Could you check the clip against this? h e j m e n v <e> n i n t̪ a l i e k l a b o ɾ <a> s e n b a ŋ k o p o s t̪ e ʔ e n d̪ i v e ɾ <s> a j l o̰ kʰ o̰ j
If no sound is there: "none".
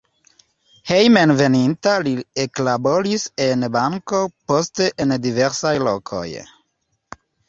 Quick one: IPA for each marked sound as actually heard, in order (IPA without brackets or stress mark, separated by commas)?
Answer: e, i, s